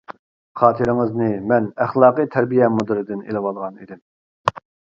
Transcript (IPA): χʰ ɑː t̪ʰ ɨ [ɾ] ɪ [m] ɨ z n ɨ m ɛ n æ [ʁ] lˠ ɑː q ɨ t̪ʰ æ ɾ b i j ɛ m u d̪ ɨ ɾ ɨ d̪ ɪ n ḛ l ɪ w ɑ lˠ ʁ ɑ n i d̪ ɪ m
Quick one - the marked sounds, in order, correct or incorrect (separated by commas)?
correct, incorrect, incorrect